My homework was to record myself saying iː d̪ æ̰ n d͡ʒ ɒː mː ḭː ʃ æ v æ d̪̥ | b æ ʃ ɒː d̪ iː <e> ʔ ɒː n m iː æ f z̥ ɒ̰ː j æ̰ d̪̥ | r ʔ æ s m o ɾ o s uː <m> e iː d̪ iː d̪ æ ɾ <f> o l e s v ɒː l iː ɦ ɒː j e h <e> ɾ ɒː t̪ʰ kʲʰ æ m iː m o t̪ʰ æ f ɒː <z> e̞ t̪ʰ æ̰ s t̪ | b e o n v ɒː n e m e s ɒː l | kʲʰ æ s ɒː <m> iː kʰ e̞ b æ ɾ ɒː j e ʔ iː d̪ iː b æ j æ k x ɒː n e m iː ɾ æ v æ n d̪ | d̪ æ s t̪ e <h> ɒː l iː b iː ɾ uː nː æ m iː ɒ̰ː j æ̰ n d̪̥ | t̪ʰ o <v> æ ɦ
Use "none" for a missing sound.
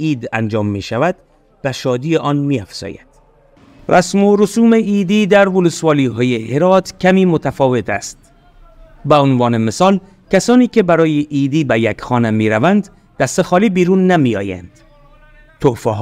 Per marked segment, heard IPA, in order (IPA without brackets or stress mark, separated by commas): e, m, v, e, v, n, x, f